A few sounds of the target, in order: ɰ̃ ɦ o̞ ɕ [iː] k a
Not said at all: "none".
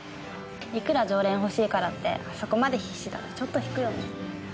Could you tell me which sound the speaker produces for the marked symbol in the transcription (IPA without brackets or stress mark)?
iː